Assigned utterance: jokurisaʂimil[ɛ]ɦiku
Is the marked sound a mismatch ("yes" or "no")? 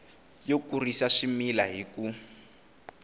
yes